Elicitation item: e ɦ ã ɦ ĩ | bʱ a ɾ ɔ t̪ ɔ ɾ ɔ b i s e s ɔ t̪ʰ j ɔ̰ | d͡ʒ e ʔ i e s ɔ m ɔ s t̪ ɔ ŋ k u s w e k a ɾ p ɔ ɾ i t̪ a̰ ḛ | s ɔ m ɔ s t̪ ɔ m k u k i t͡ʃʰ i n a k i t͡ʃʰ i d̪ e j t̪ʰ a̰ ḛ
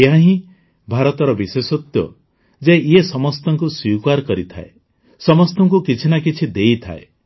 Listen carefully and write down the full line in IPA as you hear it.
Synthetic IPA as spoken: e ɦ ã ɦ ĩ | bʱ a ɾ ɔ t̪ ɔ ɾ ɔ b i s e s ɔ t̪ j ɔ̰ | d͡ʒ e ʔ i e s ɔ m ɔ s t̪ ɔ ŋ k u s w i k a ɾ k ɔ ɾ i t̪ʰ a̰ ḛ | s ɔ m ɔ s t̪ ɔ ŋ k u k i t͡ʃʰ i n a k i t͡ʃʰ i d̪ e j t̪ʰ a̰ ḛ

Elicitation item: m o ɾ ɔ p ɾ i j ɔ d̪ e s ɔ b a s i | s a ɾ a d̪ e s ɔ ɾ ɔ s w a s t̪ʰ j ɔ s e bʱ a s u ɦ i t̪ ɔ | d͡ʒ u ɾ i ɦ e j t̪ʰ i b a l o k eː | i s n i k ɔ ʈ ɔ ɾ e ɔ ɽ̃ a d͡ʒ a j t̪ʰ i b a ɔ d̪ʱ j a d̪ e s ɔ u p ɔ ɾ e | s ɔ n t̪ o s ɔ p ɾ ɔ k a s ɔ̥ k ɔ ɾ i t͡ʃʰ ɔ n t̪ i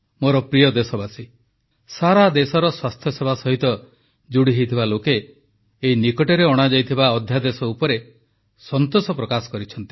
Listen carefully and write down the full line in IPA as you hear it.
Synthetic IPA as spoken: m o ɾ ɔ p ɾ i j ɔ d̪ e s ɔ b a s i | s a ɾ a d̪ e s ɔ ɾ ɔ s w a s t̪ʰ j ɔ s e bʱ a s ɔ ɦ i t̪ ɔ | d͡ʒ u ɽ i ɦ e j t̪ʰ i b a l o k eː | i n i k ɔ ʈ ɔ ɾ e ɔ ɽ̃ a d͡ʒ a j t̪ʰ i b a ɔ d̪ʱ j a d̪ e s ɔ u p ɔ ɾ e | s ɔ n t̪ o s ɔ p ɾ ɔ k a s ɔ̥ k ɔ ɾ i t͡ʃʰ ɔ n t̪ i

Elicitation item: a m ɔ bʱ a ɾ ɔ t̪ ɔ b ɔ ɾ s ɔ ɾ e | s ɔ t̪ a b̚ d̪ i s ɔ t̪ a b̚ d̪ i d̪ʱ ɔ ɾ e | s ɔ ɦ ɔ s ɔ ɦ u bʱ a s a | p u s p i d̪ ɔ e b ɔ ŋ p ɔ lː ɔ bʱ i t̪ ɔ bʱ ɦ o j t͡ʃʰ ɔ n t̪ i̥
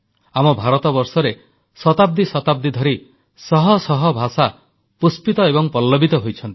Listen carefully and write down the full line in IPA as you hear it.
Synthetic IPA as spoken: a m ɔ bʱ a ɾ ɔ t̪ ɔ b ɔ ɾ s ɔ ɾ e | s ɔ t̪ a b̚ d̪ i s ɔ t̪ a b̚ d̪ i d̪ʱ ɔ ɾ i | s ɔ ɦ ɔ s ɔ ɦ ɔ bʱ a s a | p u s p i t̪ ɔ e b ɔ ŋ p ɔ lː ɔ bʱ i t̪ ɔ ɦ o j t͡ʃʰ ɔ n t̪ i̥

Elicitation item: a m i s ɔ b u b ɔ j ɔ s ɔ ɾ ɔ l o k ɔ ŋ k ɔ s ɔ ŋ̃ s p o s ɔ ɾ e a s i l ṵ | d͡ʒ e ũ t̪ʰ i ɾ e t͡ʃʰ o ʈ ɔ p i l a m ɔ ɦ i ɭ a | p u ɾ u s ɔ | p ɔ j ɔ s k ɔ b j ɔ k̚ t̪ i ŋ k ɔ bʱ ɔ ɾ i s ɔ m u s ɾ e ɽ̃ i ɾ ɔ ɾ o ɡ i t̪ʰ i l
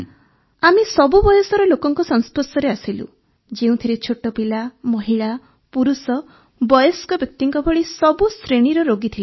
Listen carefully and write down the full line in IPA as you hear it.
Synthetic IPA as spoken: a m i s ɔ b u b ɔ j ɔ s ɔ ɾ ɔ l o k ɔ ŋ k ɔ s ɔ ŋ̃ s p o s ɔ ɾ e a s i l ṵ | d͡ʒ e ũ t̪ʰ i ɾ e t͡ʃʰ o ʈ ɔ p i l a m ɔ ɦ i ɭ a | p u ɾ u s ɔ | b ɔ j ɔ s k ɔ b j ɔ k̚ t̪ i ŋ k ɔ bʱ ɔ ɭ i s ɔ b u s ɾ e ɽ̃ i ɾ ɔ ɾ o ɡ i t̪ʰ i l

